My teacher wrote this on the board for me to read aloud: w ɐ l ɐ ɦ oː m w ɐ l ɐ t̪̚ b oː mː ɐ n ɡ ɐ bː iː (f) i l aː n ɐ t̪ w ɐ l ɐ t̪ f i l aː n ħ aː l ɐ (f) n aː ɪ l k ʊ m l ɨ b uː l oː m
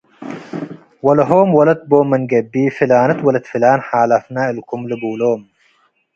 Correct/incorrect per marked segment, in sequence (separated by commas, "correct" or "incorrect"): correct, correct